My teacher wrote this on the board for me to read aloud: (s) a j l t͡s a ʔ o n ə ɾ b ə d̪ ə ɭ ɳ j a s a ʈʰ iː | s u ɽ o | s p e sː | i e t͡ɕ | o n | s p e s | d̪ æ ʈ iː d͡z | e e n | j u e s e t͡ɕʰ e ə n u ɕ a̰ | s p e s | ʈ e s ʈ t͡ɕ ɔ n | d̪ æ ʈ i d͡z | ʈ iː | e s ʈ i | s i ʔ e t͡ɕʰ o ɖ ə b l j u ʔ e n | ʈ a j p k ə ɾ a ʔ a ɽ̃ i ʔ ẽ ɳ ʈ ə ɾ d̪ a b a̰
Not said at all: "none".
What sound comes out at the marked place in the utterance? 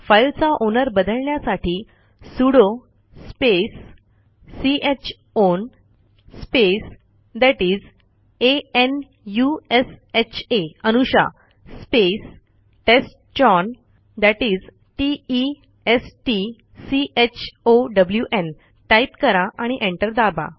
f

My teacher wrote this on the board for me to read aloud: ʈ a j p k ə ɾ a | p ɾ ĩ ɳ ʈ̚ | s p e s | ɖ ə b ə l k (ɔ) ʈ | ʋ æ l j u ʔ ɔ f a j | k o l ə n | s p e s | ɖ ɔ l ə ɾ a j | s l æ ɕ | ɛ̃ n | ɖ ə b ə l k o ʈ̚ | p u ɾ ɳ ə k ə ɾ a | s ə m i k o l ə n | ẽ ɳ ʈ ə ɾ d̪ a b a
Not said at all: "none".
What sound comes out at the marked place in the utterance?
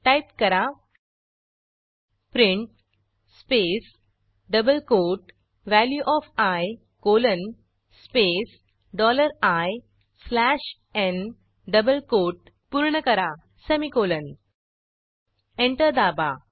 o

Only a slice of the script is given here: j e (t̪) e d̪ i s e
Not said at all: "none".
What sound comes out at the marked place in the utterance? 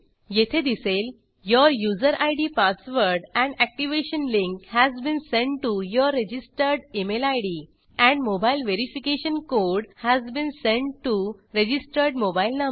t̪ʰ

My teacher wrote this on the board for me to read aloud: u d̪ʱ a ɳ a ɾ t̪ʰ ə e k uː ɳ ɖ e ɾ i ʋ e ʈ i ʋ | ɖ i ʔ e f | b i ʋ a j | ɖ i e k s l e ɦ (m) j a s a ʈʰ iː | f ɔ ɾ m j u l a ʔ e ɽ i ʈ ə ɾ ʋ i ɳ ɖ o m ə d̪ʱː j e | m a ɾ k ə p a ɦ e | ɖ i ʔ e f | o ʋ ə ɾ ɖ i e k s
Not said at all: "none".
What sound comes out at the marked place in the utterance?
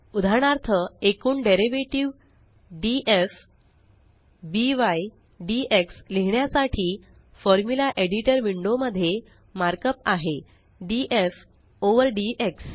ɳ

